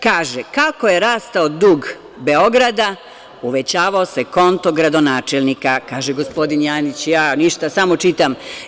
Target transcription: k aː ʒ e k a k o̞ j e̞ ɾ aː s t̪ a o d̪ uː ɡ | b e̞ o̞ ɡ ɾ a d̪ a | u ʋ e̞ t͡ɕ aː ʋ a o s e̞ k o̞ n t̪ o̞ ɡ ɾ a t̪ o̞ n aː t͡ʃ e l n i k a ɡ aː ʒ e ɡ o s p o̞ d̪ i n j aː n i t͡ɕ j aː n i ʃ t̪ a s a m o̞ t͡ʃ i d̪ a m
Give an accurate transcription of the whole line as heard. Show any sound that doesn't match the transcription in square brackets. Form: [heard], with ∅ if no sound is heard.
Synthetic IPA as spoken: k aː ʒ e k a k o̞ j e̞ ɾ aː s t̪ a o d̪ uː ɡ | b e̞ o̞ ɡ ɾ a d̪ a | u ʋ e̞ t͡ɕ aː ʋ a o s e̞ k o̞ n t̪ o̞ ɡ ɾ a [d̪] o̞ n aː t͡ʃ e l n i k a [k] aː ʒ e ɡ o s p o̞ d̪ i n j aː n i t͡ɕ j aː n i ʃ t̪ a s a m o̞ t͡ʃ i [t̪] a m